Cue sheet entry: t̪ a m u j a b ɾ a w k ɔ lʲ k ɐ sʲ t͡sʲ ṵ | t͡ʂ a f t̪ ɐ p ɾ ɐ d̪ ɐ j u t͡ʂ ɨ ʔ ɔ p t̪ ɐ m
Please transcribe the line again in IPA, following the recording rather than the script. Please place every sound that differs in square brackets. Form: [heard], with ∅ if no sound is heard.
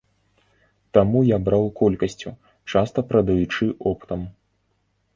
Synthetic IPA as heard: t̪ a m u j a b ɾ a w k ɔ lʲ k ɐ sʲ t͡sʲ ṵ | t͡ʂ a [s] t̪ ɐ p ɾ ɐ d̪ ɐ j u t͡ʂ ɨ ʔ ɔ p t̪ ɐ m